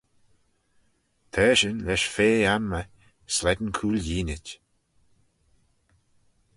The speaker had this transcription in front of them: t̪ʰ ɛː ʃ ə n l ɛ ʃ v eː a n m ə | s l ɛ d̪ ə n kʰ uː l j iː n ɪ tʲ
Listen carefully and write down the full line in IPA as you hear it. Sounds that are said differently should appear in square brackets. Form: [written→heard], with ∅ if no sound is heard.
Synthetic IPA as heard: t̪ʰ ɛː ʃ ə n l ɛ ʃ [v→f] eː a n m ə | s l ɛ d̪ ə n kʰ uː l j iː n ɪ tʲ